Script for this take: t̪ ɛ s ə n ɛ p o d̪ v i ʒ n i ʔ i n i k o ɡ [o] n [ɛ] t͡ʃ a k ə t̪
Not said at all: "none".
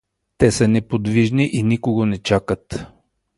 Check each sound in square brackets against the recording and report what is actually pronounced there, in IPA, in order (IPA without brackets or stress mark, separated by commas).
o, ɛ